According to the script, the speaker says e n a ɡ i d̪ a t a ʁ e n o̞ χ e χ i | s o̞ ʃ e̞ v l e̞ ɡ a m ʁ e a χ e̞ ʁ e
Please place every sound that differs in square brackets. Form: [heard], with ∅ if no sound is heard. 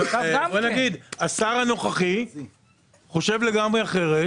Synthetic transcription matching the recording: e n a ɡ i d̪ a [s] a ʁ [a] n o̞ χ [a] χ i | [χ] o̞ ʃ e̞ v l e̞ ɡ a m ʁ e a χ e̞ ʁ e